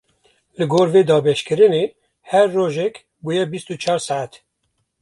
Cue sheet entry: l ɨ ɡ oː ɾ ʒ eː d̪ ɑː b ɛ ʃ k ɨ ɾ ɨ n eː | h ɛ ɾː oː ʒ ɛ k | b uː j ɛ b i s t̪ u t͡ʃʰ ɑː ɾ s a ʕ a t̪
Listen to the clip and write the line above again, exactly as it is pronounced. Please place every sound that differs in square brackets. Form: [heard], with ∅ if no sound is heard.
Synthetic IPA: l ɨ ɡ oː ɾ [v] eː d̪ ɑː b ɛ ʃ k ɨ ɾ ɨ n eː | h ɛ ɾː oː ʒ ɛ k | b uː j ɛ b i s t̪ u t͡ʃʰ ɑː ɾ s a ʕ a t̪